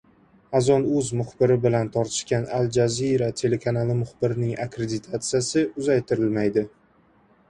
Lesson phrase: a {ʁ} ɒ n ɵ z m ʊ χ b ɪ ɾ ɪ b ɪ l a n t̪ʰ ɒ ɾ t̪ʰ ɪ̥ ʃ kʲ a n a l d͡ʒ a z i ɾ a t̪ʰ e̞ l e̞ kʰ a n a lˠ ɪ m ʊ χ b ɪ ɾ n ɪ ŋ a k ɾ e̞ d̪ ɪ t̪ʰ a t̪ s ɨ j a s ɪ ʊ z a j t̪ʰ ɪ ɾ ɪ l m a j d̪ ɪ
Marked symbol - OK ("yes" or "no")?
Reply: no